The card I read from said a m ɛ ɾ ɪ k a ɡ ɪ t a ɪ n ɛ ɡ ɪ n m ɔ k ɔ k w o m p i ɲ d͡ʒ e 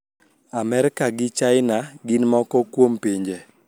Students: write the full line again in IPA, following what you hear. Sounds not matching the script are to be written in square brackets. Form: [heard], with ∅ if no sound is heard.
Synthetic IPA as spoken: a m ɛ ɾ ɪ k a ɡ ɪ [t͡ʃ] a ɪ n [a] ɡ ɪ n m ɔ k ɔ k w o m p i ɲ d͡ʒ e